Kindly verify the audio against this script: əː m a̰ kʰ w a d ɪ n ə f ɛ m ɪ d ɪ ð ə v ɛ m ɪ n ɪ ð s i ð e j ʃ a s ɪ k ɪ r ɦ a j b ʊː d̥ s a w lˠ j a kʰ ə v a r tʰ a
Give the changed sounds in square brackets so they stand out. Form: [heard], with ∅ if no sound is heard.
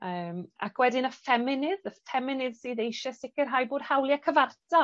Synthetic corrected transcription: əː m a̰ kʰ w [ɛ] d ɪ n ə f ɛ m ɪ [n] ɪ ð ə [f] ɛ m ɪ n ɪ ð s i ð e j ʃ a s ɪ k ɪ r ɦ a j b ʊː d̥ [h] a w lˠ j a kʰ ə v a r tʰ a